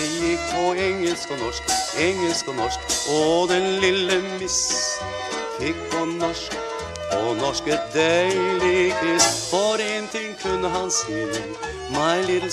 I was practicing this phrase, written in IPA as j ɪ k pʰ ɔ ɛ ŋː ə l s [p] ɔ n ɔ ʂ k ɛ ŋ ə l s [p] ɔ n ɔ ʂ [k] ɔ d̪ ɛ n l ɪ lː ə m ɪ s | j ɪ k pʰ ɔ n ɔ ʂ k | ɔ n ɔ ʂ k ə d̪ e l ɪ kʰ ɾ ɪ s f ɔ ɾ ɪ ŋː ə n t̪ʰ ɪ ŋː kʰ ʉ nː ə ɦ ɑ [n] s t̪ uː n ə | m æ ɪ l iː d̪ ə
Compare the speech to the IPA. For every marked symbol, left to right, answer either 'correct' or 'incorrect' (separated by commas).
incorrect, incorrect, correct, correct